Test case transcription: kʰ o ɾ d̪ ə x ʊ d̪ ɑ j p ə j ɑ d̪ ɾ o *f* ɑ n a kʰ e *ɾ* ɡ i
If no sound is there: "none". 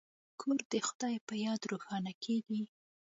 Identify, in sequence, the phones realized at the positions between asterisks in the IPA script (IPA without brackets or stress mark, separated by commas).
x, none